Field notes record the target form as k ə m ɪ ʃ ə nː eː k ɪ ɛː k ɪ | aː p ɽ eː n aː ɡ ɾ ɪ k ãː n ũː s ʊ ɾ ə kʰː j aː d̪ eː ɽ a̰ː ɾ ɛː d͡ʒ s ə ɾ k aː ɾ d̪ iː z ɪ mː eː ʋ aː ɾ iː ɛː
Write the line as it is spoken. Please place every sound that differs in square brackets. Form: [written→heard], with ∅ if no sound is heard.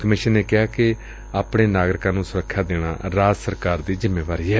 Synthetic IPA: k ə m ɪ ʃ ə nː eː k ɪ [ɛː→aː] k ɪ | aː p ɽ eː n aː ɡ ɾ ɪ k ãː n ũː s ʊ ɾ ə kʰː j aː d̪ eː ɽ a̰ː ɾ [ɛː→aː] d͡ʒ s ə ɾ k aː ɾ d̪ iː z ɪ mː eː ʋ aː ɾ iː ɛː